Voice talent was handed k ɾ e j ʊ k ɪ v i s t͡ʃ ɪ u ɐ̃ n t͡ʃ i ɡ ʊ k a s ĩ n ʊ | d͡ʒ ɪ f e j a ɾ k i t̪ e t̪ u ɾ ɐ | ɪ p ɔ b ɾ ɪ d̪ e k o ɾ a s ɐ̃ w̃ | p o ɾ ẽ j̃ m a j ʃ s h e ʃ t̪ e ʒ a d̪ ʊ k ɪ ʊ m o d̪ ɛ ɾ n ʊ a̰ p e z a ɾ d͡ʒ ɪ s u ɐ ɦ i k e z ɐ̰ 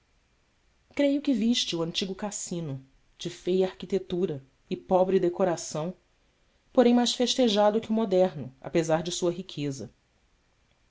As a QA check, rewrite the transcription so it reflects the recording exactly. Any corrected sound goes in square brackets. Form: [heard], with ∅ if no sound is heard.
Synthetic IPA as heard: k ɾ e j ʊ k ɪ v i [ʃ] t͡ʃ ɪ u ɐ̃ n t͡ʃ i ɡ ʊ k a s ĩ n ʊ | d͡ʒ ɪ f e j a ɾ k i t̪ e t̪ u ɾ ɐ | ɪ p ɔ b ɾ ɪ d̪ e k o ɾ a s ɐ̃ w̃ | p o ɾ ẽ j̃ m a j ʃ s [f] e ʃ t̪ e ʒ a d̪ ʊ k ɪ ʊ m o d̪ ɛ ɾ n ʊ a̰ p e z a ɾ d͡ʒ ɪ s u ɐ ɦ i [kʰ] e z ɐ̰

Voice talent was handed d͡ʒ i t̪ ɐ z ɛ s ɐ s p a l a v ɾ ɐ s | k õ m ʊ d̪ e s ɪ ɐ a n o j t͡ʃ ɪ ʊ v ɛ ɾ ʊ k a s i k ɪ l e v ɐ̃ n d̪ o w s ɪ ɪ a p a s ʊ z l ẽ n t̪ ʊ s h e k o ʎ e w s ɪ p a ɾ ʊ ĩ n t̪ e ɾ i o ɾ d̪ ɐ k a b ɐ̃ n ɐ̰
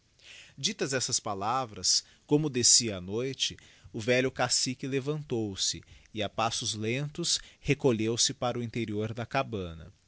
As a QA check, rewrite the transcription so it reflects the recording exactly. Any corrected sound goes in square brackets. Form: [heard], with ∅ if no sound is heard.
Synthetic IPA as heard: d͡ʒ i t̪ ɐ z ɛ s ɐ s p a l a v ɾ ɐ s | k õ m ʊ d̪ e s [i] ɐ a n o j t͡ʃ ɪ ʊ v ɛ [ʎ] ʊ k a s i k ɪ l e v ɐ̃ n [t̪] o w s ɪ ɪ a p a s ʊ z l ẽ n t̪ ʊ s h e k o ʎ e w s ɪ p a ɾ ʊ ĩ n t̪ e ɾ i o ɾ d̪ ɐ k a b ɐ̃ n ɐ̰

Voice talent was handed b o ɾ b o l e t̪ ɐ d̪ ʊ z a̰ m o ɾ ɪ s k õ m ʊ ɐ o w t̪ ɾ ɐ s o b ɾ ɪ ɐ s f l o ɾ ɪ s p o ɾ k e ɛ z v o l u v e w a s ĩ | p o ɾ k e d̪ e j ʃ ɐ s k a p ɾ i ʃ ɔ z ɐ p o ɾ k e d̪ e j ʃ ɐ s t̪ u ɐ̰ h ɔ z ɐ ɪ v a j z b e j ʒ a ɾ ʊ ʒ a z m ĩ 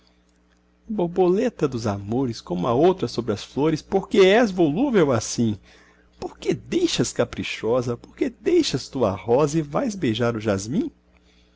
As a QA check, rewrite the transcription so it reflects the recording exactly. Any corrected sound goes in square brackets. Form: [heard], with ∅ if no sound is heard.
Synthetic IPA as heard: b o ɾ b o l e t̪ ɐ d̪ ʊ z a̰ m o ɾ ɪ s k õ m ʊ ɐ o w t̪ ɾ ɐ s o b ɾ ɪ ɐ s f l o ɾ ɪ s p o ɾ k e ɛ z v o l u v e w a s ĩ | p o ɾ k e d̪ e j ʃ ɐ s k a p ɾ i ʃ ɔ z ɐ p o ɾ k e d̪ e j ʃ ɐ s t̪ u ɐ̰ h ɔ z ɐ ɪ v a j z b e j ʒ a ɾ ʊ ʒ a z m ĩ

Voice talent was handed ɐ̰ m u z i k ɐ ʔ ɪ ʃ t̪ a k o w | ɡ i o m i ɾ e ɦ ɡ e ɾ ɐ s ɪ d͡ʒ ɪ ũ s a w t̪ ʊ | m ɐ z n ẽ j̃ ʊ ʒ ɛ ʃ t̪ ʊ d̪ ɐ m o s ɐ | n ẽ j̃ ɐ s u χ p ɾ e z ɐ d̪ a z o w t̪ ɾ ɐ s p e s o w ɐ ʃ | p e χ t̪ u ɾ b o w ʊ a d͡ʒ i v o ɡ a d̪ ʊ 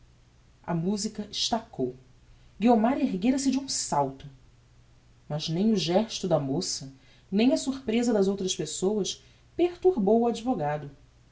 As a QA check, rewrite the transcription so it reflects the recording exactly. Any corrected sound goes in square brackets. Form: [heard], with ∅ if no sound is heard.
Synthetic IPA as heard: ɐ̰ m u z i k ɐ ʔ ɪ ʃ t̪ a k o w | ɡ i o m [a] ɾ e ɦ ɡ e ɾ ɐ s ɪ d͡ʒ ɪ ũ s a w t̪ ʊ | m ɐ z n ẽ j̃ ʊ ʒ ɛ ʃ t̪ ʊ d̪ ɐ m o s ɐ | n ẽ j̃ ɐ s u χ p ɾ e z ɐ d̪ [ɐ] z o w t̪ ɾ ɐ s p e s o w ɐ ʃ | p e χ t̪ u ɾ b o w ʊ a d͡ʒ i v o ɡ a d̪ ʊ

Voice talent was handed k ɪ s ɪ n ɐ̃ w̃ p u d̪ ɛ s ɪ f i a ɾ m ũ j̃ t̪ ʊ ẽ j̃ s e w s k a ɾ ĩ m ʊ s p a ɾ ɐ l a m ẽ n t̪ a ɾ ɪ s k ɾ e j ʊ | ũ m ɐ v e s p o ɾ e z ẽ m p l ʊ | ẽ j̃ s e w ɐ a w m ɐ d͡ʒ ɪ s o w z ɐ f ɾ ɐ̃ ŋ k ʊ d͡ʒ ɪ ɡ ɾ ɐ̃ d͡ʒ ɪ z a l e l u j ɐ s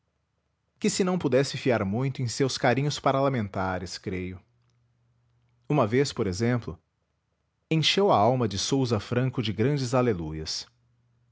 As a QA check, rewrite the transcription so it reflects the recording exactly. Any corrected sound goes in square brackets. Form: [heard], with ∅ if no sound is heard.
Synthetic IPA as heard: k ɪ s ɪ n ɐ̃ w̃ p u d̪ ɛ s ɪ f i a ɾ m ũ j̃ t̪ ʊ ẽ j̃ s e w s k a ɾ ĩ [ɲ] ʊ s p a ɾ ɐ l a m ẽ n t̪ a ɾ ɪ s k ɾ e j ʊ | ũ m ɐ v e s p o ɾ e z ẽ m p l ʊ | ẽ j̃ [ʃ] e w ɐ a w m ɐ d͡ʒ ɪ s o w z ɐ f ɾ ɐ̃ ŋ k ʊ d͡ʒ ɪ ɡ ɾ ɐ̃ d͡ʒ ɪ z a l e l u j ɐ s

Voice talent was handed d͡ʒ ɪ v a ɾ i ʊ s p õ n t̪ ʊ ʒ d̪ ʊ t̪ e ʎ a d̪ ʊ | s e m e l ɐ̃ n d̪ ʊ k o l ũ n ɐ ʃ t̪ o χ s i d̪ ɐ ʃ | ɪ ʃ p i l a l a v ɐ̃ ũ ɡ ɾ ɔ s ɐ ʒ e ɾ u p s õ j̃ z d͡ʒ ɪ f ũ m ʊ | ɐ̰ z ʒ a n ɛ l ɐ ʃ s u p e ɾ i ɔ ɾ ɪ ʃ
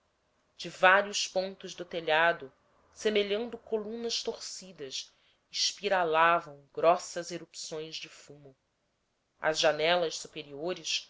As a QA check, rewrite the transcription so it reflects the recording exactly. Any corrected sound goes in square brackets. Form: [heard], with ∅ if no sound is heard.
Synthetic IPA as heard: d͡ʒ ɪ v a ɾ i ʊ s p õ n t̪ ʊ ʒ d̪ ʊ t̪ e ʎ a d̪ ʊ | s e m e [ʎ] ɐ̃ n d̪ ʊ k o l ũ n ɐ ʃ t̪ o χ s i d̪ ɐ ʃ | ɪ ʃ p i [ɾ] a l a v ɐ̃ [w̃] ɡ ɾ ɔ s ɐ [z] e ɾ u p s õ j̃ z d͡ʒ ɪ f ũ m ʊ | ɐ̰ z ʒ a n ɛ l ɐ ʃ s u p e ɾ i [o] ɾ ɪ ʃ

